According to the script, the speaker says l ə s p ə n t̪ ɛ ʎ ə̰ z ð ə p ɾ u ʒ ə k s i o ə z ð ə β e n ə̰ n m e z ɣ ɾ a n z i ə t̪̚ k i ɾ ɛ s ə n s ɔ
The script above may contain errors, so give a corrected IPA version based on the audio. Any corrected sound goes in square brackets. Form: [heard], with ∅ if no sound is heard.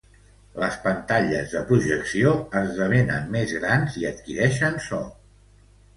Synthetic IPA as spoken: l ə s p ə n t̪ [a] ʎ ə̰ z ð ə p ɾ u ʒ ə k s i o ə z ð ə β e n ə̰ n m e z ɣ ɾ a n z i ə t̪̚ k i ɾ ɛ [ʃ] ə n s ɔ